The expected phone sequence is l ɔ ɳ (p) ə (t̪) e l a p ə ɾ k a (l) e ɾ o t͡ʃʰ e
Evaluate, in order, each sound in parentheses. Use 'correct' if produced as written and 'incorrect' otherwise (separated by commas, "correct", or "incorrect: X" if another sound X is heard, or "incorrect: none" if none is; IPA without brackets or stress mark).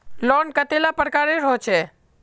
incorrect: k, correct, incorrect: ɾ